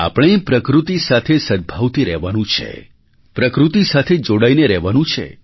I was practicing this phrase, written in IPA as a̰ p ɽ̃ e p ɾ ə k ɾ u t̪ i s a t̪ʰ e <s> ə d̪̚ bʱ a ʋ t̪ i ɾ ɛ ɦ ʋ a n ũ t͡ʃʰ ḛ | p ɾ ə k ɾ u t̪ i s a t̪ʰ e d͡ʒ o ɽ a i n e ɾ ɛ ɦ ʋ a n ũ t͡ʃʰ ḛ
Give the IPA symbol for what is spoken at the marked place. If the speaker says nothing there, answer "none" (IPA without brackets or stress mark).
s